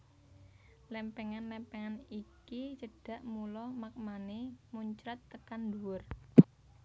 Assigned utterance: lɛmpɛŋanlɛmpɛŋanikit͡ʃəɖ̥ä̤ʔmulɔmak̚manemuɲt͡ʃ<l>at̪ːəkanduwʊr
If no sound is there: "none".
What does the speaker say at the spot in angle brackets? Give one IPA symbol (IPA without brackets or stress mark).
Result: ɾ